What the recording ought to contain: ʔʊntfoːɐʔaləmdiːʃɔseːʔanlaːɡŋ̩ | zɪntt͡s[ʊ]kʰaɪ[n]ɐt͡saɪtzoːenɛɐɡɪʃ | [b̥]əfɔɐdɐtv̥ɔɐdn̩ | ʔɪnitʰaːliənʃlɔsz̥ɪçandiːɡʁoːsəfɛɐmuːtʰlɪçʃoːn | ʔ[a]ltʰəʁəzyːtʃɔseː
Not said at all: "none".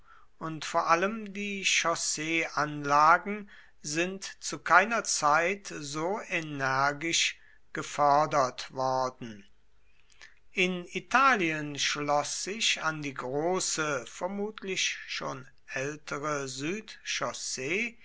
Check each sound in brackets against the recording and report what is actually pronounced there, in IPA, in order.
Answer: u, n, ɡ̥, ɛ

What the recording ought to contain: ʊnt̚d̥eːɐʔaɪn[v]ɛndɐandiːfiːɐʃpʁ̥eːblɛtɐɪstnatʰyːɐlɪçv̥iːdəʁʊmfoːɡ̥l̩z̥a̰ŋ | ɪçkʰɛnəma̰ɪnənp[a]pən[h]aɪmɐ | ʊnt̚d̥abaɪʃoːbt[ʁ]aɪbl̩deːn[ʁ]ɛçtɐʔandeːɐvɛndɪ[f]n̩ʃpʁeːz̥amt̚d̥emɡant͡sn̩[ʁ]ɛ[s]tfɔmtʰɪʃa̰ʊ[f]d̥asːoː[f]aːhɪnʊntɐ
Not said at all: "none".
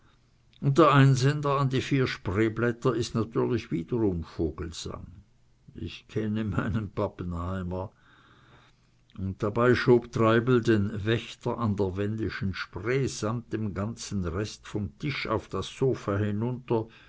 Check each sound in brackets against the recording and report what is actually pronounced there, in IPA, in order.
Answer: z, a, h, ʁ, v, ʃ, ʁ, s, f, f

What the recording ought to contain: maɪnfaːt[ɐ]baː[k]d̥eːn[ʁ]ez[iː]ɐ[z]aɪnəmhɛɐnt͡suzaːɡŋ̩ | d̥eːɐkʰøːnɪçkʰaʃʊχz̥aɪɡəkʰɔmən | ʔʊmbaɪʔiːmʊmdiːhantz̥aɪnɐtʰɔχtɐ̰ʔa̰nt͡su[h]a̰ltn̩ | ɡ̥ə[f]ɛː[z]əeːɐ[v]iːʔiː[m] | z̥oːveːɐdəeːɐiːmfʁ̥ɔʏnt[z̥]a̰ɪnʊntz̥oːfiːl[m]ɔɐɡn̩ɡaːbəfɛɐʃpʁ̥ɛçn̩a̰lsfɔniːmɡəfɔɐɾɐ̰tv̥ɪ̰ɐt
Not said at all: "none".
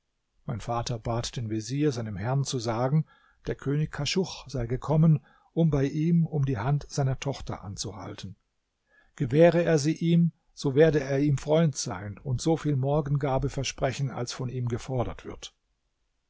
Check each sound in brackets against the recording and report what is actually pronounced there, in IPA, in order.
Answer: ɐ, t, v, iː, z, h, v, ʁ, z, m, z̥, m

